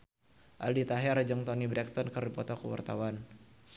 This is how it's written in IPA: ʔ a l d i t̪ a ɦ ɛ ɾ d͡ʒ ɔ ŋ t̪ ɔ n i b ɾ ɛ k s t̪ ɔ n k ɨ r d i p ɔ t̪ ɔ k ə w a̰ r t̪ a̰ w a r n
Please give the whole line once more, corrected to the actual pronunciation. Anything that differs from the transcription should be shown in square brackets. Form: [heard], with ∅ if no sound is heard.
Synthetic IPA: ʔ a l d i t̪ a ɦ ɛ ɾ d͡ʒ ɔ ŋ t̪ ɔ n i b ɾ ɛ k s t̪ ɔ n k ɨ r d i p ɔ t̪ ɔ k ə w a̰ r t̪ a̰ w a [∅] n